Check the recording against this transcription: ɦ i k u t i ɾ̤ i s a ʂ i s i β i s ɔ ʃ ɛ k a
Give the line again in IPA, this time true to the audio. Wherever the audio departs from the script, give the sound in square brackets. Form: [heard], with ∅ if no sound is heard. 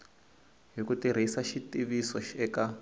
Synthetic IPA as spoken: ɦ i k u t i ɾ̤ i s a [ʃ] i [t] i β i s ɔ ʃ ɛ k a